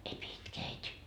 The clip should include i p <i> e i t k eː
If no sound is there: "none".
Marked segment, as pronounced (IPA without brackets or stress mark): i